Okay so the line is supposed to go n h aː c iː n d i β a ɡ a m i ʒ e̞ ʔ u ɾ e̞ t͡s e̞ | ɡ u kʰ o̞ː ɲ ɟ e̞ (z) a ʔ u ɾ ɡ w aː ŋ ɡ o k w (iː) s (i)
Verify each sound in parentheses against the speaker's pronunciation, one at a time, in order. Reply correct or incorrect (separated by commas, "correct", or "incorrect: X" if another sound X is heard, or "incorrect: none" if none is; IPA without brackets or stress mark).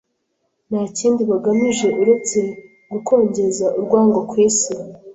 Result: correct, correct, correct